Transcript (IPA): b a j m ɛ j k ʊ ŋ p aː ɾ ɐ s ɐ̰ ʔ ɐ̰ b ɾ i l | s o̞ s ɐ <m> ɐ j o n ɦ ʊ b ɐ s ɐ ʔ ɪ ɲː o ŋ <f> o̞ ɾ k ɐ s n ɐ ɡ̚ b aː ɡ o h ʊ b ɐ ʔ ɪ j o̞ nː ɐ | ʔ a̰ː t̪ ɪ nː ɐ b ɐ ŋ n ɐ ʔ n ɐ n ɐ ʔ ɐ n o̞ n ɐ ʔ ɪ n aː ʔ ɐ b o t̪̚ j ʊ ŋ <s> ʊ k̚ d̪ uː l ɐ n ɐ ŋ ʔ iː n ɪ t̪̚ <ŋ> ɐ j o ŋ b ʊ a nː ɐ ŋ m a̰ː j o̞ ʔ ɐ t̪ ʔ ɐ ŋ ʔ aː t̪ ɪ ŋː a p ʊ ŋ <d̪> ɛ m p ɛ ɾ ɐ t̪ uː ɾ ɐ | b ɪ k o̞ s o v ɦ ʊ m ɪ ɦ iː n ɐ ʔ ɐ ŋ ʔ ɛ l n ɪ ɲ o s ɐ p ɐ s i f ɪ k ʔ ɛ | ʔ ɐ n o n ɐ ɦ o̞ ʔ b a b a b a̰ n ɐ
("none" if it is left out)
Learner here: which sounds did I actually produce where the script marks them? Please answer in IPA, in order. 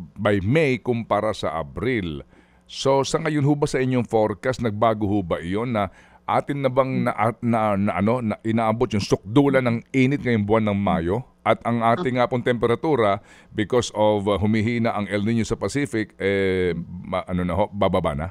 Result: ŋ, f, s, ŋ, t̪

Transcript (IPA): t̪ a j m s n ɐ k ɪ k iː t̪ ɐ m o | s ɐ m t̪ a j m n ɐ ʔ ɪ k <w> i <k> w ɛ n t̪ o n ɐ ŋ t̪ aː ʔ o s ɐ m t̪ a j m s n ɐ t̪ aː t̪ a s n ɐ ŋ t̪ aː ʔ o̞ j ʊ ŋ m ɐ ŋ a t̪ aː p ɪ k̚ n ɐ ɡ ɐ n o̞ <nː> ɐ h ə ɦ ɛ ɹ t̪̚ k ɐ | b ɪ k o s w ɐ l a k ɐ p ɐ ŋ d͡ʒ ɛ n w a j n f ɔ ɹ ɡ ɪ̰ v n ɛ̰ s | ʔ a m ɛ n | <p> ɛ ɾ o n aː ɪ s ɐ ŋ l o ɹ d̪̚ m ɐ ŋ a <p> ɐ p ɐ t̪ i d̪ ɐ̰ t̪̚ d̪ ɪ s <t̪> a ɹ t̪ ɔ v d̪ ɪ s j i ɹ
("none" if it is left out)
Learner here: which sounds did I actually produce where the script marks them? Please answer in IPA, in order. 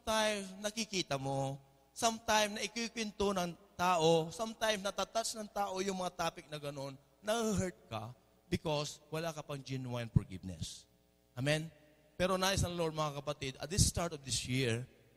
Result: w, k, nː, p, k, t̪

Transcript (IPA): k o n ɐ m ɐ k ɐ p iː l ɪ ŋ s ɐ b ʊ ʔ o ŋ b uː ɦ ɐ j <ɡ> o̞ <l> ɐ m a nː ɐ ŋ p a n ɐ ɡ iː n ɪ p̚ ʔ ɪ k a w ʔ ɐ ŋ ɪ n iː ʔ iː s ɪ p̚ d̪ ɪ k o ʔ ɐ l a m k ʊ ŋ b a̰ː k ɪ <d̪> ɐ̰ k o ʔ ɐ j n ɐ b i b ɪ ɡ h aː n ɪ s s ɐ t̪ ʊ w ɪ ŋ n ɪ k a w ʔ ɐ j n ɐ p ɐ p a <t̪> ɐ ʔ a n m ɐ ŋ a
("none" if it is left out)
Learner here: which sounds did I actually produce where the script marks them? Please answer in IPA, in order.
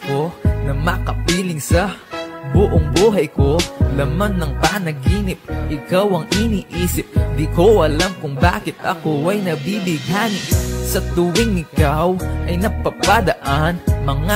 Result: k, l, t̪, d̪

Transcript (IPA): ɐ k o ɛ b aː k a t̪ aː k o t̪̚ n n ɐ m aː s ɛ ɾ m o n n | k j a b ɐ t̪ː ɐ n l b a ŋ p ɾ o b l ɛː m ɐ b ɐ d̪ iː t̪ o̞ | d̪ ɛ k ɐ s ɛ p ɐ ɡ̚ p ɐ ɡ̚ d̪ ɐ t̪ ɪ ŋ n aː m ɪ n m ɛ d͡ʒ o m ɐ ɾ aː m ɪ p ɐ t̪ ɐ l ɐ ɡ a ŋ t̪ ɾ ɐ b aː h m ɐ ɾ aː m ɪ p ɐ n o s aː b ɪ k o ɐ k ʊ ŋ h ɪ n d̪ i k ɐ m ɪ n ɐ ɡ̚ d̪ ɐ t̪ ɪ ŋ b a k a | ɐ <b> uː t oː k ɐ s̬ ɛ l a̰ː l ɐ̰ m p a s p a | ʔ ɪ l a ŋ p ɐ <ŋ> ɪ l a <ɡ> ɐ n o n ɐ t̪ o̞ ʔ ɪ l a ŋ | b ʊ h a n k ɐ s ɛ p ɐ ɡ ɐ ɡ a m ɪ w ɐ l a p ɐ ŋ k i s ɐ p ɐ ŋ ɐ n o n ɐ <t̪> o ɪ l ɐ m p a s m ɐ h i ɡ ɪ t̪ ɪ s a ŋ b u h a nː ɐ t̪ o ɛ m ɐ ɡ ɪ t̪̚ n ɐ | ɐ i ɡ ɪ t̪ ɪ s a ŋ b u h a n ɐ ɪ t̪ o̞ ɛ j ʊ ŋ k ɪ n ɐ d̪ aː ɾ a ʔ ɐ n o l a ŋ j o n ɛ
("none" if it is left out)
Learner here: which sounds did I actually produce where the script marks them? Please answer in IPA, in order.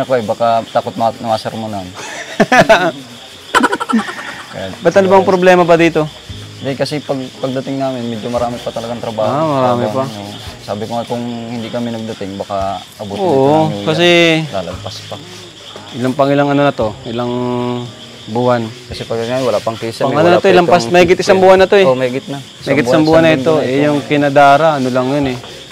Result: b, ŋ, ŋ, t̪

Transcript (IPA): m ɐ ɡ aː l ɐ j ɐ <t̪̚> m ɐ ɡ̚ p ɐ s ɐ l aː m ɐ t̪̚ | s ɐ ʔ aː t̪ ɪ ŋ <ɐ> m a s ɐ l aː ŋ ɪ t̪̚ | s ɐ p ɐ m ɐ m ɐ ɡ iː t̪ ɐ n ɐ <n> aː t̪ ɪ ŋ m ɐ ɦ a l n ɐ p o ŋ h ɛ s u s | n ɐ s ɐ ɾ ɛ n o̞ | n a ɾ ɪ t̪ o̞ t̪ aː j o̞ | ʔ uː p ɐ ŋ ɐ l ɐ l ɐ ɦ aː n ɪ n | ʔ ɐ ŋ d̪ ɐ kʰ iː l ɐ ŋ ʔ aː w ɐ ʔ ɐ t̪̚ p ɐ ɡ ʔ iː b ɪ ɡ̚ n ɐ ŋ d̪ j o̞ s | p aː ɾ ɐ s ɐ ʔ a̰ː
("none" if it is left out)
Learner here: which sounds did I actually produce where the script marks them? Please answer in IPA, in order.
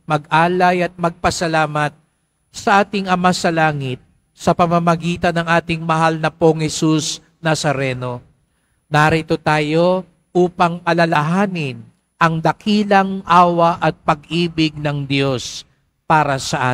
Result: t̪̚, ɐ, ŋ

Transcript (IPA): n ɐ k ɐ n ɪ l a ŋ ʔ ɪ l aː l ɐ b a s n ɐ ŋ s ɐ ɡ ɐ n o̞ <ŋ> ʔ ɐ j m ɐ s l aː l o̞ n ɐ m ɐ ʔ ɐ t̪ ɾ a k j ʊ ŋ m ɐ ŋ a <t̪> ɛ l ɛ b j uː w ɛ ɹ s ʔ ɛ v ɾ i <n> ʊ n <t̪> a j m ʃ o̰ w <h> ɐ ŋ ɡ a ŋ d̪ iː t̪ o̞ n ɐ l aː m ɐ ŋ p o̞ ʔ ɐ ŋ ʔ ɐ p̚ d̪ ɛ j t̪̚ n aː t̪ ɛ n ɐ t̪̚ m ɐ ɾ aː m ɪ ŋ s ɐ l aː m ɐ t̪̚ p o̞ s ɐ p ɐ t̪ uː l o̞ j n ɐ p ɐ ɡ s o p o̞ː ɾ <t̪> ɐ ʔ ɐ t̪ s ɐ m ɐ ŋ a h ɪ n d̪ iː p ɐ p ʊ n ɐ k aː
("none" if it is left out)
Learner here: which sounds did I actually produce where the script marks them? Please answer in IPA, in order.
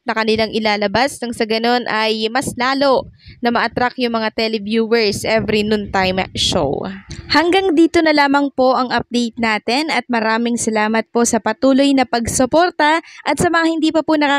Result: n, t̪, n, t̪, h, t̪

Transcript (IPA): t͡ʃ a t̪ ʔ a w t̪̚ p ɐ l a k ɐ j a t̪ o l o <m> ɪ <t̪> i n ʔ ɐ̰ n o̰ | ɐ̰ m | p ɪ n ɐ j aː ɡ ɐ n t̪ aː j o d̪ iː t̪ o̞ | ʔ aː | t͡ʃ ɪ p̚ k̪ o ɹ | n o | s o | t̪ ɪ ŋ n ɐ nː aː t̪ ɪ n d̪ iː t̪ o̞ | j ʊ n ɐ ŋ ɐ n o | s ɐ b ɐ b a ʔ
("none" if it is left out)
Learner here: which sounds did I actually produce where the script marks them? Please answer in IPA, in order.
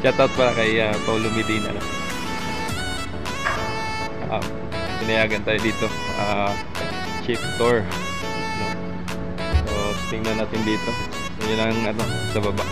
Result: m, d̪

